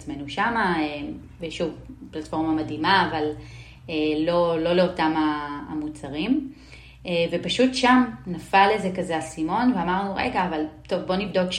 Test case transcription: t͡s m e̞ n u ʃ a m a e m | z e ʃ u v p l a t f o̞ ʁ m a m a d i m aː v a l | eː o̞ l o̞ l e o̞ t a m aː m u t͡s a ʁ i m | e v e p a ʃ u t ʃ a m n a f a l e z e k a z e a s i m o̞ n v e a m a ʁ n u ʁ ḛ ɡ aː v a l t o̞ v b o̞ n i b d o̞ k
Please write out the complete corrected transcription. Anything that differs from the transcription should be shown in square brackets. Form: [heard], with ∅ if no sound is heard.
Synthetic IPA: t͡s m e̞ n u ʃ a m a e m | [v] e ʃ u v p l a t f o̞ ʁ m a m a d i m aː v a l | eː o̞ l o̞ l e o̞ t a m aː m u t͡s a ʁ i m | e v e p a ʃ u t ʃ a m n a f a l e z e k a z e a s i m o̞ n v e a m a ʁ n u ʁ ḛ ɡ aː v a l t o̞ v b o̞ n i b d o̞ k